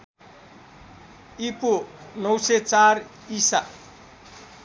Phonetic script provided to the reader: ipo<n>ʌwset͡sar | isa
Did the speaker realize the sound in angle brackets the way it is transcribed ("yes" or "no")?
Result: yes